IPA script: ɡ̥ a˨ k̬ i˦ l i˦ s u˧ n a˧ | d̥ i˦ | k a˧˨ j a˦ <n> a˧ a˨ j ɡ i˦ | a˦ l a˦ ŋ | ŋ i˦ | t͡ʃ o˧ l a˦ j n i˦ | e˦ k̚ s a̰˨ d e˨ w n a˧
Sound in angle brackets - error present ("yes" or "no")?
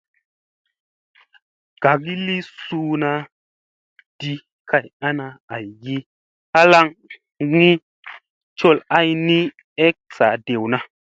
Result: no